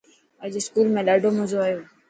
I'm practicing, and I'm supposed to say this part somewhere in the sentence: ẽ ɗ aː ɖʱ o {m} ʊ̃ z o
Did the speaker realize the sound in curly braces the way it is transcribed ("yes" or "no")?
yes